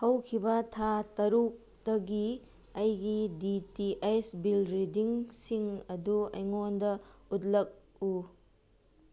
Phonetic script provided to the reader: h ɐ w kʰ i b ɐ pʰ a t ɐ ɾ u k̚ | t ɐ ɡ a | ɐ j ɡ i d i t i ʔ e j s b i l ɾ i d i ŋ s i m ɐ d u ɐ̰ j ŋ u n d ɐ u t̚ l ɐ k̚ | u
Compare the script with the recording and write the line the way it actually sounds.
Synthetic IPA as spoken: h ɐ w kʰ i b ɐ tʰ a t ɐ ɾ u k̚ | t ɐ ɡ i | ɐ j ɡ i d i t i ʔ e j s b i l ɾ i d i ŋ s i ŋ ɐ d u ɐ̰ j ŋ o n d ɐ u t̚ l ɐ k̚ | u